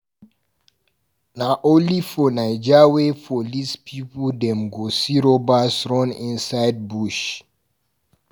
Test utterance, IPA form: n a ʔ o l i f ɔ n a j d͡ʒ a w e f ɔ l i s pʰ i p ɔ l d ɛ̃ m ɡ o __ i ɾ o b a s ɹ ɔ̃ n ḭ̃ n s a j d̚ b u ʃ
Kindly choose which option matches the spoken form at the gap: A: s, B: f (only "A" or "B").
A